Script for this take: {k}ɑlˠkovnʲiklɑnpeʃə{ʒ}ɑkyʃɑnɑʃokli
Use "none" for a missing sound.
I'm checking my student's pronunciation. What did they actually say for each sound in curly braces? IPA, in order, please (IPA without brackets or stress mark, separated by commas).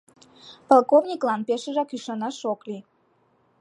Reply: p, ʒ